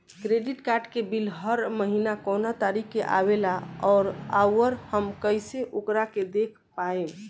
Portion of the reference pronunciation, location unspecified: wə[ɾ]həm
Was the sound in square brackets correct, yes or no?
yes